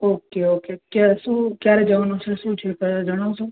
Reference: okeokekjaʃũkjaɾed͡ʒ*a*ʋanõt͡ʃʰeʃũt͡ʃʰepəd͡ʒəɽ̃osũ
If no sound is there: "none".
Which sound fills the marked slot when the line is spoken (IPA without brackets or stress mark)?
ə